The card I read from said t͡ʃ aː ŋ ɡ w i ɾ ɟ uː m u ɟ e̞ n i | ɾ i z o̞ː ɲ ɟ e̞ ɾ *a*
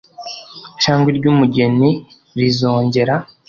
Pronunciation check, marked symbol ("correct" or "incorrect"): correct